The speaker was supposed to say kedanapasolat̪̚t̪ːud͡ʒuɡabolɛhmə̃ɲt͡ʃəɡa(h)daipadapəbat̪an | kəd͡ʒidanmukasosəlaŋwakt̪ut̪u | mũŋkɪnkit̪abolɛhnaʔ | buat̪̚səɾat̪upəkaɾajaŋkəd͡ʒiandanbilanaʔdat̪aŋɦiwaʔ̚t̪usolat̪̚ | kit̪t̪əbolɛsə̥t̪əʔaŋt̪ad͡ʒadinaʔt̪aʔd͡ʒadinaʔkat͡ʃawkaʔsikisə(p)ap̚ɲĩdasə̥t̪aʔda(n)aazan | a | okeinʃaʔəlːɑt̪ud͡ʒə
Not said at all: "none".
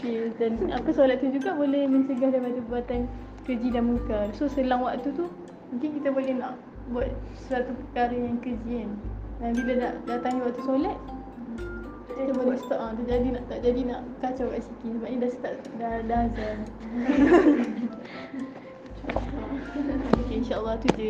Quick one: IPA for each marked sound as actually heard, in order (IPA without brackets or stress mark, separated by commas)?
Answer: h, b, d